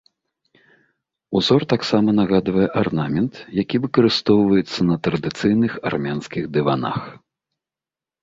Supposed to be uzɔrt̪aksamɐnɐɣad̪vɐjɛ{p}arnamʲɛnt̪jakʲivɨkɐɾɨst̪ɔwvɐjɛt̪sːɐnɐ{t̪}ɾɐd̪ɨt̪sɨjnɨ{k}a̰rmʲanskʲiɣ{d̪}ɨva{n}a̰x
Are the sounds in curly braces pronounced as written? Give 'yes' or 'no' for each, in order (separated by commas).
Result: no, yes, no, yes, yes